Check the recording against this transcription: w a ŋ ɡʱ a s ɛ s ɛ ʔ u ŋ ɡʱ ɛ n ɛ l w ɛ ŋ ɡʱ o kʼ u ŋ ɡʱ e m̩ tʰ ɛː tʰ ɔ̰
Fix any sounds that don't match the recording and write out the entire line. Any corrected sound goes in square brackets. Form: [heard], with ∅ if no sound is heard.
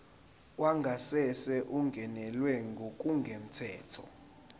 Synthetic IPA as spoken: w a ŋ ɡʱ a s ɛ s ɛ ʔ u ŋ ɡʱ ɛ n ɛ l w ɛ ŋ ɡʱ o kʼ u ŋ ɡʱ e m̩ tʰ ɛː tʰ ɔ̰

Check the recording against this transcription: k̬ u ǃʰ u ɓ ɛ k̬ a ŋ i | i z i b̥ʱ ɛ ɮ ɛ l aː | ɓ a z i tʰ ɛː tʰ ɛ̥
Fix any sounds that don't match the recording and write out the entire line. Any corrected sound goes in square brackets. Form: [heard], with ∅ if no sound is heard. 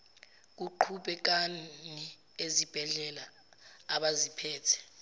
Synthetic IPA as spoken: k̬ u ǃʰ u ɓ ɛ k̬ a [n] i | [e] z i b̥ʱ ɛ ɮ ɛ l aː | ɓ a z i [pʰ] ɛː tʰ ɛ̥

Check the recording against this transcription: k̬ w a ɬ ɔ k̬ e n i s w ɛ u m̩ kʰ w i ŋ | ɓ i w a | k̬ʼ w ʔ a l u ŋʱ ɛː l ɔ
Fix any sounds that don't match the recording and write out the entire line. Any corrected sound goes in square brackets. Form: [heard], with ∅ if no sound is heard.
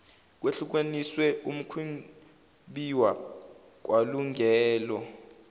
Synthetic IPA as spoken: k̬ w [e] ɬ [u] k̬ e n i s w ɛ u m̩ kʰ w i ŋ | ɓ i w a | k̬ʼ w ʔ a l u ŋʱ ɛː l ɔ

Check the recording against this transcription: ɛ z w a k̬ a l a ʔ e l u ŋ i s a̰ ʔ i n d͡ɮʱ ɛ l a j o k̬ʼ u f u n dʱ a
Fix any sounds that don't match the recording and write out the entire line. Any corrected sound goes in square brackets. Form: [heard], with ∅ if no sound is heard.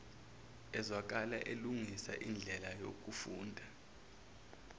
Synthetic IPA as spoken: ɛ z w a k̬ a l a ʔ e l u ŋ i s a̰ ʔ i n d͡ɮʱ ɛ l a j o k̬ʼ u f [uː] n dʱ a

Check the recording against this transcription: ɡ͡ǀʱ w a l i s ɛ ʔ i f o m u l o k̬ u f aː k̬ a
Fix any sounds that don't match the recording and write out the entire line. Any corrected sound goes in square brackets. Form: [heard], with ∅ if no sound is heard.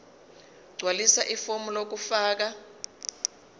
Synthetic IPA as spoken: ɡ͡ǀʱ w a l i s [a] ʔ i f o m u l o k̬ u f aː k̬ a

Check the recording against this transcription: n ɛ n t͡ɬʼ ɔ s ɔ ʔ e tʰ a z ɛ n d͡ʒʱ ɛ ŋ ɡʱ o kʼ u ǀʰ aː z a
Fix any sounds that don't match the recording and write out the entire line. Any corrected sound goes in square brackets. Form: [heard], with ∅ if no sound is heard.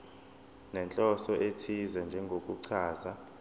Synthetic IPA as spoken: n ɛ n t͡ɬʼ ɔ s ɔ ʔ e tʰ [i] z ɛ n d͡ʒʱ ɛ ŋ ɡʱ o kʼ u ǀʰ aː z a

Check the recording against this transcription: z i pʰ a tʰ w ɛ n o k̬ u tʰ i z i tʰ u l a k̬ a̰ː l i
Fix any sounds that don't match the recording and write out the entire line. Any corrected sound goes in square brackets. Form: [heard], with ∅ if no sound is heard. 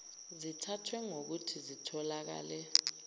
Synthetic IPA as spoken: z i [tʰ] a tʰ w ɛ [ŋ] o k̬ u tʰ i z i tʰ [ɔ] l a k̬ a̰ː l [ɛ]

